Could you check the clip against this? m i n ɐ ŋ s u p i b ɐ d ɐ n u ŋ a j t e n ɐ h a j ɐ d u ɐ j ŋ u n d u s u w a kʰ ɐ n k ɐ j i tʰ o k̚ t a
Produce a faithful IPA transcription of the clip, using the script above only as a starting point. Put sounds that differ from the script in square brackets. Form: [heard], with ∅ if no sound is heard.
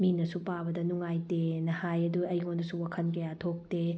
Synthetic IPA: m i n ɐ [∅] s u p [a] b ɐ d ɐ n u ŋ a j t e n ɐ h a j ɐ d u ɐ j ŋ [o] n d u s u w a kʰ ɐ n k ɐ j [a] tʰ o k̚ t [e]